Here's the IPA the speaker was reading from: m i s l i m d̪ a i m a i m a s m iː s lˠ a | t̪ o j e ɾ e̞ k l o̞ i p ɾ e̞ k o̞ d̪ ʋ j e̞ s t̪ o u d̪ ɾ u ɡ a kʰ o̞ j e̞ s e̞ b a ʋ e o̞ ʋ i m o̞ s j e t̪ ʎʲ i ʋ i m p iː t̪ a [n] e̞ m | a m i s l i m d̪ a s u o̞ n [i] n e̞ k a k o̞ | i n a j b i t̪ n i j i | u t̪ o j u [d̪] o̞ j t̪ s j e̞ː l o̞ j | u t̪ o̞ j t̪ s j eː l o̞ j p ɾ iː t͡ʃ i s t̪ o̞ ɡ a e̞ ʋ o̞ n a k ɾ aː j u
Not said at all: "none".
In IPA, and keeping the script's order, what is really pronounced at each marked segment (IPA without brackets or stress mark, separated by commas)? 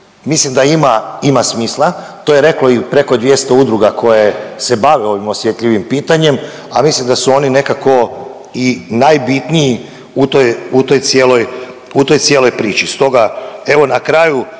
ɲ, i, t̪